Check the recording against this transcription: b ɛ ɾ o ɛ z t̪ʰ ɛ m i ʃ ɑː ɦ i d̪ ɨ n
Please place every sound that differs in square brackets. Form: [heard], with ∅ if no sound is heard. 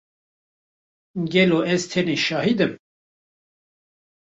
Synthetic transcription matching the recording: [ɡ] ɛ [l] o ɛ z t̪ʰ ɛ [n] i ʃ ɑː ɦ i d̪ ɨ [m]